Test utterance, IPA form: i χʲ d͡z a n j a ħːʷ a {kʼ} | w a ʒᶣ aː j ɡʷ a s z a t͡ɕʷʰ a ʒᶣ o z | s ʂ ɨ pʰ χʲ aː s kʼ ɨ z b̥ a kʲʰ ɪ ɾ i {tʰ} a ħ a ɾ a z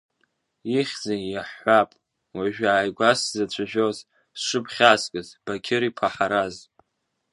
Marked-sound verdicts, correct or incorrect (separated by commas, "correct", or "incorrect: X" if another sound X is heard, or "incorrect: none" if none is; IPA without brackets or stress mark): incorrect: pʼ, incorrect: pʰ